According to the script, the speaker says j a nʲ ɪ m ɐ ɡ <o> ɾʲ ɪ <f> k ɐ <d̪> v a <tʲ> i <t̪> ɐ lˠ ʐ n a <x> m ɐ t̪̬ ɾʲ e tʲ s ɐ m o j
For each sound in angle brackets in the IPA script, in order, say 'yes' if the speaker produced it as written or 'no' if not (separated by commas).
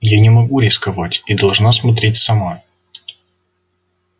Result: no, no, no, yes, no, no